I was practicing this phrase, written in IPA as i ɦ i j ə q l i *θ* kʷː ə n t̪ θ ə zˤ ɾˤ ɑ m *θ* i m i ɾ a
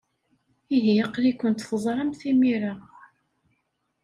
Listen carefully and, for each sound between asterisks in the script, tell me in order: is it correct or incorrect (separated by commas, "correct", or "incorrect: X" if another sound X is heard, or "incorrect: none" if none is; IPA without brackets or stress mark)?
incorrect: none, correct